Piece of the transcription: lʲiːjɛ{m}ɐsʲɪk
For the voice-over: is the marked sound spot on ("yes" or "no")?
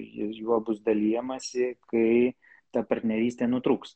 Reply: yes